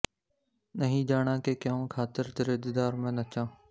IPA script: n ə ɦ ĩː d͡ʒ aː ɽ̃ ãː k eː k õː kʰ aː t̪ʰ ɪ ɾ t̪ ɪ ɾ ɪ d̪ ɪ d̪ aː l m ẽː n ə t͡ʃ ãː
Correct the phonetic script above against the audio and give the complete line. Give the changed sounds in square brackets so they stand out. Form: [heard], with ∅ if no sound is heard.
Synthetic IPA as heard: n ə ɦ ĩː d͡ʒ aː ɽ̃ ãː k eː k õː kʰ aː [t̪] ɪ ɾ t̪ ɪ ɾ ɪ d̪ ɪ d̪ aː [ɾ] m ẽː n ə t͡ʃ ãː